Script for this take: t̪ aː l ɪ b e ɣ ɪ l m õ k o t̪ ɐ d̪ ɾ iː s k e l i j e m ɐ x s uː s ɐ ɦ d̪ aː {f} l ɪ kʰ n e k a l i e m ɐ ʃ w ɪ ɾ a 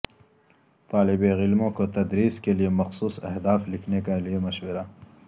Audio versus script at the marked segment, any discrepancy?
no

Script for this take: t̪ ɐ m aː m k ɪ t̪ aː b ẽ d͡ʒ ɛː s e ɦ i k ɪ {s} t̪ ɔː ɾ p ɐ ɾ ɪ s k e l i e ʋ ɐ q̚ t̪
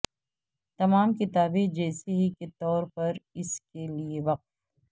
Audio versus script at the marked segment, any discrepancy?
yes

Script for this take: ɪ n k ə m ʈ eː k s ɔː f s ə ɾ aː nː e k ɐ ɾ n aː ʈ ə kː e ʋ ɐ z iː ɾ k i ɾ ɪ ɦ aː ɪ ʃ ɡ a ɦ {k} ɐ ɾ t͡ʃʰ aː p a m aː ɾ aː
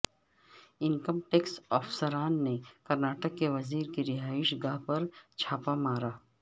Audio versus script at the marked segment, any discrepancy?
yes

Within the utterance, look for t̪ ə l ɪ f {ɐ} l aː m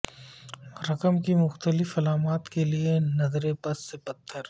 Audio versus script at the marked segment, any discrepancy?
no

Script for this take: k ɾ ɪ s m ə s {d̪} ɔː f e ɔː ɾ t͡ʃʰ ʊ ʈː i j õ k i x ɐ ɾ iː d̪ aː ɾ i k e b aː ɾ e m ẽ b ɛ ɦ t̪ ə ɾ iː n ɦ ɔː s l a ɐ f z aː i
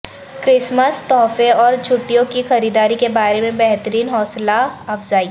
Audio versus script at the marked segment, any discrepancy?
yes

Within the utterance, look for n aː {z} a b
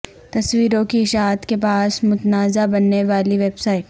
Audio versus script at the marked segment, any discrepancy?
no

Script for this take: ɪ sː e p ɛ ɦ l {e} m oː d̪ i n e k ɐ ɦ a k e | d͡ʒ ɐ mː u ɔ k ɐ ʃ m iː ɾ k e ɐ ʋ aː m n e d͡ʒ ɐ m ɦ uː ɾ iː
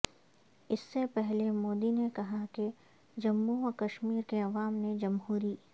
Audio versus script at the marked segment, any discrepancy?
no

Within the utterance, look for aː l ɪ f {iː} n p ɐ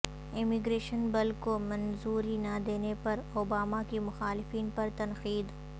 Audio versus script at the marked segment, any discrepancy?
no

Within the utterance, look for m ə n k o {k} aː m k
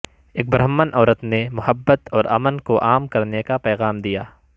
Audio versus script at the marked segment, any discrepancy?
yes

